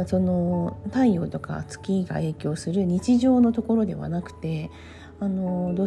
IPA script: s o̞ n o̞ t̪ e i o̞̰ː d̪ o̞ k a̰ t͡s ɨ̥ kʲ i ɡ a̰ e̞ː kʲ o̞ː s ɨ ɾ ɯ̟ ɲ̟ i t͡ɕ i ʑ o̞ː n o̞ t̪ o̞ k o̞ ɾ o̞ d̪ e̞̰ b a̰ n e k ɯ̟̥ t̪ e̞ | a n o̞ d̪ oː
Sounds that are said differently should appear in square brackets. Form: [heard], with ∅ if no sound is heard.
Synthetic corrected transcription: s o̞ n o̞ t̪ [a] i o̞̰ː [t̪] o̞ k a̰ t͡s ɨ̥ kʲ i ɡ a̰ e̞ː kʲ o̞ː s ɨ ɾ ɯ̟ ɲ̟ i t͡ɕ i ʑ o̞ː n o̞ t̪ o̞ k o̞ ɾ o̞ d̪ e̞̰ [β] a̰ n [a] k ɯ̟̥ t̪ e̞ | a n o̞ d̪ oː